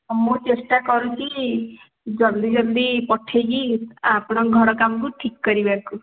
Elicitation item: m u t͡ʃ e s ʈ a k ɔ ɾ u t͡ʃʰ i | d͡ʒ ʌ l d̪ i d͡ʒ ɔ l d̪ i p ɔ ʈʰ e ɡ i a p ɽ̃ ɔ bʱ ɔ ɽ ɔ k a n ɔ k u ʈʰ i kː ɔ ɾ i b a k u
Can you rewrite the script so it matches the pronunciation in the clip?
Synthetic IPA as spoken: m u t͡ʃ e s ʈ a k ɔ ɾ u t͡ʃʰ i | d͡ʒ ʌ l d̪ i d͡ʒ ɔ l d̪ i p ɔ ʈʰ e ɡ i a p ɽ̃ ɔ ɡʱ ɔ ɽ ɔ k a m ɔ k u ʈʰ i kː ɔ ɾ i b a k u